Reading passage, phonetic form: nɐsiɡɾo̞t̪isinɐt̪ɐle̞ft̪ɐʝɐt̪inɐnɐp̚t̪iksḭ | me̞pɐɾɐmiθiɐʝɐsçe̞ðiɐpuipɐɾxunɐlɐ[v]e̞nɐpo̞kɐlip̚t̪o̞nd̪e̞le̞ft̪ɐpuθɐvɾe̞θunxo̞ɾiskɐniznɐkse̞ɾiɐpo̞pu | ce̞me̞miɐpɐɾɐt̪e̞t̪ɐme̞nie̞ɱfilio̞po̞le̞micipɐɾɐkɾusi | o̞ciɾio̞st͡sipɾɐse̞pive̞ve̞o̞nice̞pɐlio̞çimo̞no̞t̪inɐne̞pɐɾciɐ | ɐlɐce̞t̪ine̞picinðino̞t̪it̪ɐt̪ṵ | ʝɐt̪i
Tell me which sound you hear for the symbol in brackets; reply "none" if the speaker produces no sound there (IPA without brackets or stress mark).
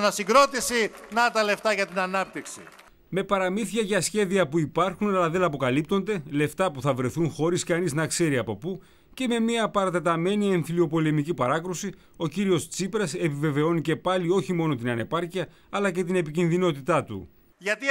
ð